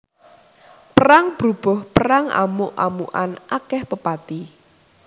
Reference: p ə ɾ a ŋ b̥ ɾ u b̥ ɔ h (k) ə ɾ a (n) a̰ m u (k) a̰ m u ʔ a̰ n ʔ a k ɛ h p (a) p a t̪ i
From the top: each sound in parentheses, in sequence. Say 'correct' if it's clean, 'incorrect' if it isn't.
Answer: incorrect, incorrect, incorrect, incorrect

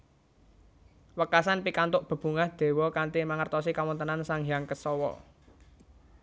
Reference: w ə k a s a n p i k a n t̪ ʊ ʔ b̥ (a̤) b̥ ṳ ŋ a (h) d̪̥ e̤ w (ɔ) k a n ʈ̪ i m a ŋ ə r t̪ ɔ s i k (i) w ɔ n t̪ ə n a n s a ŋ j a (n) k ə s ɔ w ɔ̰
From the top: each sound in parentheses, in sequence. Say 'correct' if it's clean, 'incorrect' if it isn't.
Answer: incorrect, correct, correct, incorrect, incorrect

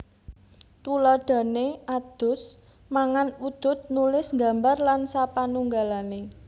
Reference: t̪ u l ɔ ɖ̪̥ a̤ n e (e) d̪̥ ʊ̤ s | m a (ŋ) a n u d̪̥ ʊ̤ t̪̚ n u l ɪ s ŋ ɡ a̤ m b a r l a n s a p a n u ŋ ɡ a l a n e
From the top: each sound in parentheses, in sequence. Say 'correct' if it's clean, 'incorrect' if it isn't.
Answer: incorrect, correct

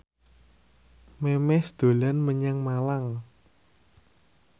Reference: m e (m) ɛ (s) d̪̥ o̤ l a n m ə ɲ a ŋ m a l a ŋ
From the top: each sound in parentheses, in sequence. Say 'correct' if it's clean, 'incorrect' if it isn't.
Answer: correct, correct

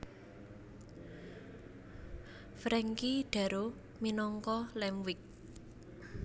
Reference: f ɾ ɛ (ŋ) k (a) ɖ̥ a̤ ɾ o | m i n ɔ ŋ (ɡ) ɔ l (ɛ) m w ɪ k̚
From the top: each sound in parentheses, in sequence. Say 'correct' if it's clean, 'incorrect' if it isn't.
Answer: correct, incorrect, incorrect, correct

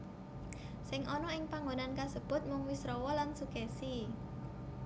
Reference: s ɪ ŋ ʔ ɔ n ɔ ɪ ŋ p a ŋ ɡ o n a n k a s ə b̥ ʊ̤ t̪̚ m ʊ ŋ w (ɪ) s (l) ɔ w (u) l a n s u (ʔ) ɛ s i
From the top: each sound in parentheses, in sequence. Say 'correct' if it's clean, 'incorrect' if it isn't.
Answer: incorrect, incorrect, incorrect, incorrect

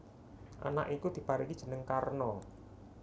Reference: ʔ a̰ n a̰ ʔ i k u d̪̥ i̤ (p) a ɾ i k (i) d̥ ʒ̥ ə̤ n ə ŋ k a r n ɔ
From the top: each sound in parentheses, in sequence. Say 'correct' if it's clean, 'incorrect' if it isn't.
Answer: correct, correct

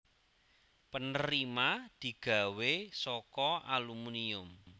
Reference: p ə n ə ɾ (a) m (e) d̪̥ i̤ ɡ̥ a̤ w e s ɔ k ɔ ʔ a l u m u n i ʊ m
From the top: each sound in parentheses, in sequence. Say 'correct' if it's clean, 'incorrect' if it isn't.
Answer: incorrect, incorrect

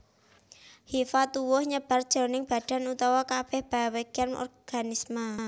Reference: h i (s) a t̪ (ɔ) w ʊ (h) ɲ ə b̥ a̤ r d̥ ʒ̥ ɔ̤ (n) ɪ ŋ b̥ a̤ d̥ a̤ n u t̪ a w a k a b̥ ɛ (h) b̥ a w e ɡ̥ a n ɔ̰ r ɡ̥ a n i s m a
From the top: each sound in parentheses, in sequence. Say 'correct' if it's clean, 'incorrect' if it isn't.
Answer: incorrect, incorrect, correct, correct, correct

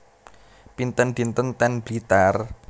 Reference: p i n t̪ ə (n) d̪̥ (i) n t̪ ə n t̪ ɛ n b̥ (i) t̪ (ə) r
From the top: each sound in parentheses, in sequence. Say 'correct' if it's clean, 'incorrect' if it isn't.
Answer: correct, correct, correct, incorrect

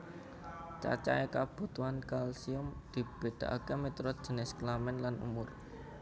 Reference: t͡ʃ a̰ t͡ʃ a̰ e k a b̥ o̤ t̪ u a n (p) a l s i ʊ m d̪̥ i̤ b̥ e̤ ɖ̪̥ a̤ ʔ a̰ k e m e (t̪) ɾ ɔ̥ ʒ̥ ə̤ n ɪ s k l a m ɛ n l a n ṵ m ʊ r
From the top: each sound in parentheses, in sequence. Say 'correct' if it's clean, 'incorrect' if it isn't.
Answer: incorrect, correct

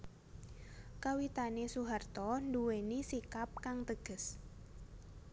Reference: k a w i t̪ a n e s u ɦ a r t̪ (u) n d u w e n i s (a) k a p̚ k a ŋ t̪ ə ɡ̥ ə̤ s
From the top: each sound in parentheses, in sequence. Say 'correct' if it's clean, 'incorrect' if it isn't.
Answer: incorrect, incorrect

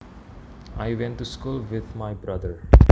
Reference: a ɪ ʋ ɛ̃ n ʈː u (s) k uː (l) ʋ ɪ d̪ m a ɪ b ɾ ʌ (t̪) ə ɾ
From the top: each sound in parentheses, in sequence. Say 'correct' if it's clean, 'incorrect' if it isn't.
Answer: correct, correct, incorrect

